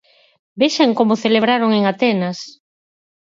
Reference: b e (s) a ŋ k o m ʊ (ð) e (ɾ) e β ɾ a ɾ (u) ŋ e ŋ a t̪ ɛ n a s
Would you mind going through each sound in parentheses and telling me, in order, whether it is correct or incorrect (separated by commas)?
incorrect, incorrect, incorrect, incorrect